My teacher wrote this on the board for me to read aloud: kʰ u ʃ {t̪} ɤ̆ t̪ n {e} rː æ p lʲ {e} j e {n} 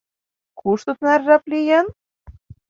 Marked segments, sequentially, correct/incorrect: correct, incorrect: æ, incorrect: i, correct

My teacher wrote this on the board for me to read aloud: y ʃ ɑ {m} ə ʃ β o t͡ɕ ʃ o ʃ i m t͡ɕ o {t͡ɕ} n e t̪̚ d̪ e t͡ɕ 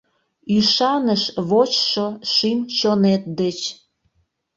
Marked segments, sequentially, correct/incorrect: incorrect: n, incorrect: none

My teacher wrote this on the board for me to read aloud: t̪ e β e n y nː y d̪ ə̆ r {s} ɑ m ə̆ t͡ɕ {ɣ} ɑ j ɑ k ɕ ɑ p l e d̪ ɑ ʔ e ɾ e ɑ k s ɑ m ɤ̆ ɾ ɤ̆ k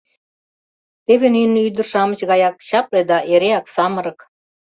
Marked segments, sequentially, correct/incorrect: incorrect: ʃ, correct

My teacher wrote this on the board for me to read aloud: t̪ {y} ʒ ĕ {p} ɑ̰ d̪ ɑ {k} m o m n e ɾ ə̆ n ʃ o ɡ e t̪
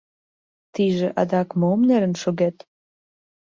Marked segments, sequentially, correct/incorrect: incorrect: i, incorrect: ʔ, correct

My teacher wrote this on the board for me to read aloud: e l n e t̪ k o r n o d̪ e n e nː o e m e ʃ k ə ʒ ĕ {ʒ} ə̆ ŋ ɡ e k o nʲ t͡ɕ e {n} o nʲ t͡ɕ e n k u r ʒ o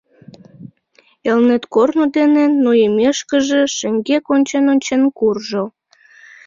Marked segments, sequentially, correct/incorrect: incorrect: ʃ, correct

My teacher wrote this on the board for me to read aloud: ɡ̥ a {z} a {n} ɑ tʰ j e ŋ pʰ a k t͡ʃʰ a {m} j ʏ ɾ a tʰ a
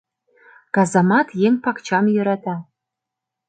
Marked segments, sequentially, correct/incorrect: correct, incorrect: m, correct

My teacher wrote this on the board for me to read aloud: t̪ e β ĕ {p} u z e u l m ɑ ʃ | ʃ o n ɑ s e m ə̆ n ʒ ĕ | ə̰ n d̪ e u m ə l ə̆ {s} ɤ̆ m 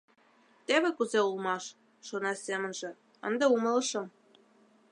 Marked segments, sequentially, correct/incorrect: incorrect: k, incorrect: ʃ

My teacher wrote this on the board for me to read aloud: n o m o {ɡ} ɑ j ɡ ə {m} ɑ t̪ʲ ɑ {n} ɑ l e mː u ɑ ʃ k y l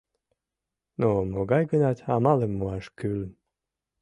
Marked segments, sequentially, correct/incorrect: correct, incorrect: n, incorrect: m

